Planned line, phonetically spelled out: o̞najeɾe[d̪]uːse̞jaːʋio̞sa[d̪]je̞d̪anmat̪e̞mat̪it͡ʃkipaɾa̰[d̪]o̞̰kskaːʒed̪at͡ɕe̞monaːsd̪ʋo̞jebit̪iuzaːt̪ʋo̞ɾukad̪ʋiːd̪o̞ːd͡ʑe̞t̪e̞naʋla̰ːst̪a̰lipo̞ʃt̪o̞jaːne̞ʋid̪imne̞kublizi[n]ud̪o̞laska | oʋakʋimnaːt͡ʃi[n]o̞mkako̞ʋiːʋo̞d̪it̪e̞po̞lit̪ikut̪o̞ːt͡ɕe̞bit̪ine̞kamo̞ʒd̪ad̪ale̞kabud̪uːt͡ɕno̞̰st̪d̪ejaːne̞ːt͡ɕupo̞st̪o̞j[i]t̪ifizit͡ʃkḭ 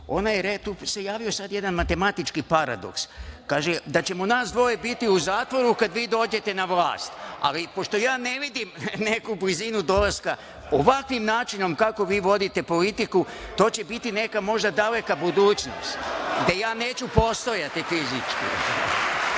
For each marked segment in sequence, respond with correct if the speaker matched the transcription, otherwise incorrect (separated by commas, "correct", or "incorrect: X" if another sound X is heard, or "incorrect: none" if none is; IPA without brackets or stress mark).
incorrect: t̪, correct, correct, correct, correct, incorrect: a